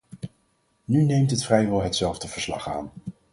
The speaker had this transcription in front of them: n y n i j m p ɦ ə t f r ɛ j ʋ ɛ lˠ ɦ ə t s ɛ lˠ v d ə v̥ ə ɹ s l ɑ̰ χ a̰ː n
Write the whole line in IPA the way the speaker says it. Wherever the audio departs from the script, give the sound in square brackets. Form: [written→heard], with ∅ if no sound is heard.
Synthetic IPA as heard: n y n [i→e] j m [p→t] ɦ ə t f r ɛ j ʋ ɛ lˠ ɦ ə t s ɛ lˠ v d ə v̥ ə ɹ s l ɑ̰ χ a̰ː n